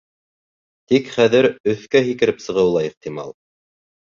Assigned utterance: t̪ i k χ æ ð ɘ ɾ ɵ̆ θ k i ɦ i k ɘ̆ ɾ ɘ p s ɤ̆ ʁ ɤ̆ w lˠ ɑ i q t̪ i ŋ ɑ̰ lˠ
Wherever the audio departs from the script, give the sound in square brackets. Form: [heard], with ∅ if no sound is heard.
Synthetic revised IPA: t̪ i k χ æ ð ɘ ɾ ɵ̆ θ k [æ] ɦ i k ɘ̆ ɾ ɘ p s ɤ̆ ʁ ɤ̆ w lˠ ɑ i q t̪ i [m] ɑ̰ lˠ